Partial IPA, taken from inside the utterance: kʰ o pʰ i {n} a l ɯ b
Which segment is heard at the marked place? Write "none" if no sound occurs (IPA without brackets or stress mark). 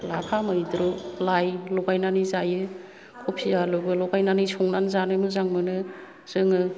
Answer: none